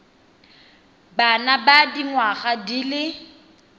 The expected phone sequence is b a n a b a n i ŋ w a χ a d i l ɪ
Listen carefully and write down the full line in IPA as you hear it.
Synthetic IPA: b a n a b a d i ŋ w a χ a d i l ɪ